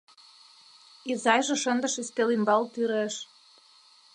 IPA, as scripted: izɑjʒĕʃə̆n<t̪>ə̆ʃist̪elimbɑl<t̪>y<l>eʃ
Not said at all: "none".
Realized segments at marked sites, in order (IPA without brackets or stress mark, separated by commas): d̪, t̪, ɾ